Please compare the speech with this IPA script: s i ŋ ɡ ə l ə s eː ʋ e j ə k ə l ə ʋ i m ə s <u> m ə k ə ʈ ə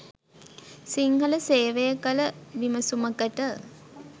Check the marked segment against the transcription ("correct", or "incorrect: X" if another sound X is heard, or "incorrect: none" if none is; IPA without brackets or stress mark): correct